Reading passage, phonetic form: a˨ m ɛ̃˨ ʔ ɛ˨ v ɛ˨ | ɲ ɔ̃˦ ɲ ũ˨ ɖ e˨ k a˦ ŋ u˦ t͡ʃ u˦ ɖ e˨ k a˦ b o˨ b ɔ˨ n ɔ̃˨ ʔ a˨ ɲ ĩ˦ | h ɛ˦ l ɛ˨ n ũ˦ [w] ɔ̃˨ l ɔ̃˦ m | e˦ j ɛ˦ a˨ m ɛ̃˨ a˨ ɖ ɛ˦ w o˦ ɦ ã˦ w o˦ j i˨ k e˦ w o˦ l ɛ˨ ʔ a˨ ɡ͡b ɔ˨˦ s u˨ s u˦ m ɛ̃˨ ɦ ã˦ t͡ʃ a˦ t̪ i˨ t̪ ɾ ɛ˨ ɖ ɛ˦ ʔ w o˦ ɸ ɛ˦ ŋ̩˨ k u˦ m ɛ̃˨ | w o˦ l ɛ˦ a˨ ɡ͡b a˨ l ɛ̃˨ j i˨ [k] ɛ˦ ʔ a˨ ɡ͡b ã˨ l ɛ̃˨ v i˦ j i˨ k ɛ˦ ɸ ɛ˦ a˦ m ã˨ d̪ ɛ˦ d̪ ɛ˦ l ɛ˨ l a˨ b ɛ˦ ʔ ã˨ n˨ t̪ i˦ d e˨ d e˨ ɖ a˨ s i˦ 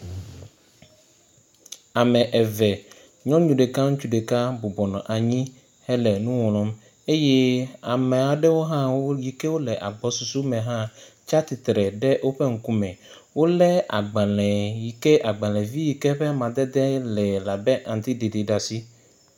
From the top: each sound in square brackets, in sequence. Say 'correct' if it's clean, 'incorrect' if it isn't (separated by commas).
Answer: correct, correct